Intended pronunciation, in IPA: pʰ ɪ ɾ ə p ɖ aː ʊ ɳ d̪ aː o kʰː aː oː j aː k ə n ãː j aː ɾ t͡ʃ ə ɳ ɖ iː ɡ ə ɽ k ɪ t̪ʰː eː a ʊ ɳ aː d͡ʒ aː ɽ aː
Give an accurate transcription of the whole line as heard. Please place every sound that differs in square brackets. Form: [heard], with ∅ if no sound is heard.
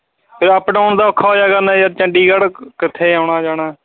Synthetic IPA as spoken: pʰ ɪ ɾ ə p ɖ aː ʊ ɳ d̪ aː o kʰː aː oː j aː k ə n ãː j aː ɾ t͡ʃ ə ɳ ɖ iː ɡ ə ɽ k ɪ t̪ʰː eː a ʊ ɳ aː d͡ʒ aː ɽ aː